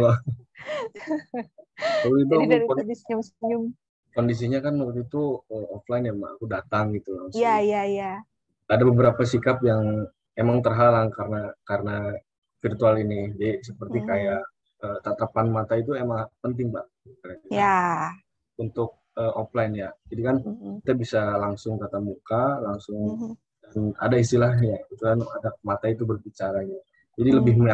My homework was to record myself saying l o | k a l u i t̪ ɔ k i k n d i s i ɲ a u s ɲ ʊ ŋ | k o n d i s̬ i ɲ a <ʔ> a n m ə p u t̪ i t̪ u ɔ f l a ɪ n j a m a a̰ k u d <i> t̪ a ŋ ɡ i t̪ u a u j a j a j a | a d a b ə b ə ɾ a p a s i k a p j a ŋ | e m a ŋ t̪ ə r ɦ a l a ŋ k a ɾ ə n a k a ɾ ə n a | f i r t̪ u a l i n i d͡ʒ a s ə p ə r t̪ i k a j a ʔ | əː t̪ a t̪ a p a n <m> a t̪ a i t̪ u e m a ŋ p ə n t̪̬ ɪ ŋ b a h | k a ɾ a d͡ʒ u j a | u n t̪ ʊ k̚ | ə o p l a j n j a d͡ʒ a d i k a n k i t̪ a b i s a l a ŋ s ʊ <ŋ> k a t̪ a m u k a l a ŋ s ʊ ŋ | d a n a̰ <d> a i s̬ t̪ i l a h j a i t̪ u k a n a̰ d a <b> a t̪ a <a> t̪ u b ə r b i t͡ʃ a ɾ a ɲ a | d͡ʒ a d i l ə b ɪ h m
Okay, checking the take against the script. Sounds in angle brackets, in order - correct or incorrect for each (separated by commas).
incorrect, incorrect, correct, correct, correct, incorrect, incorrect